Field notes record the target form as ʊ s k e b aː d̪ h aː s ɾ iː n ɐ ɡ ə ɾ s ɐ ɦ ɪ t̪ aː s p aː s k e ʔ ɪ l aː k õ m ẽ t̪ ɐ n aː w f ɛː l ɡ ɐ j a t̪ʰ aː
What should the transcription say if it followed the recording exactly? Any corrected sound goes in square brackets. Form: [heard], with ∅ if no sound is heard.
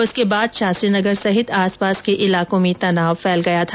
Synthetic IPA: ʊ s k e b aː d̪ [ʃ] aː s ɾ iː n ɐ ɡ ə ɾ s ɐ ɦ ɪ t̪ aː s p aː s k e ʔ ɪ l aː k õ m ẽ t̪ ɐ n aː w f ɛː l ɡ ɐ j a t̪ʰ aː